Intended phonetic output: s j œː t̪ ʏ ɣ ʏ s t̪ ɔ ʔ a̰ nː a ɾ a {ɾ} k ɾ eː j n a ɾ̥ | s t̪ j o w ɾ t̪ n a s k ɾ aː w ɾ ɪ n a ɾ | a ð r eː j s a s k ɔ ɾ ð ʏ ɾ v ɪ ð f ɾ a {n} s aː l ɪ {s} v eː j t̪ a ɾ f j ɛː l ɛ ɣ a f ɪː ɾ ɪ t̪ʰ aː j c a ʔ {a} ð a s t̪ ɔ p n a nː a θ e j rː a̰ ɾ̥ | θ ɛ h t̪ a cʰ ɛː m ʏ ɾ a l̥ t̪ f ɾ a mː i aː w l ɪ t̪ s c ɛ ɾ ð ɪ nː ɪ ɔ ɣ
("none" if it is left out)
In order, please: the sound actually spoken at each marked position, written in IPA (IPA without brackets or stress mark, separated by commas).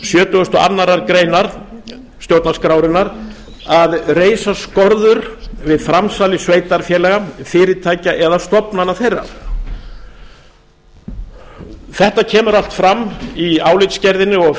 ɾ, m, s, ɛ